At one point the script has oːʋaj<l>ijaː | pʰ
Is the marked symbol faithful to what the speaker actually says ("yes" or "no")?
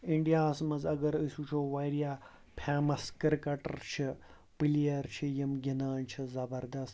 no